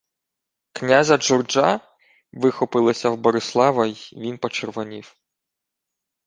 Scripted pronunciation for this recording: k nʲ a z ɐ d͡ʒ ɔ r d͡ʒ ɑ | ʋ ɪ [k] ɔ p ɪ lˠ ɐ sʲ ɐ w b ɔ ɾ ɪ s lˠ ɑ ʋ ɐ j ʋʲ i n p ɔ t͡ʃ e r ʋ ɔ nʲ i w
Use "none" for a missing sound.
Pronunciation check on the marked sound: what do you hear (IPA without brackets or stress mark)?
x